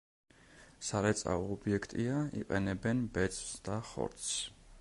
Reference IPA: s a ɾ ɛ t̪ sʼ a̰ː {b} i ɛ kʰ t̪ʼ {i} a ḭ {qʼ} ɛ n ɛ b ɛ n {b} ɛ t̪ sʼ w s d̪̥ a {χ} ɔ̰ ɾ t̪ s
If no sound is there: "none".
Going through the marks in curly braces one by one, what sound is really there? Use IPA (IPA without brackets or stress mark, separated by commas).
b, i, qʼ, b, χ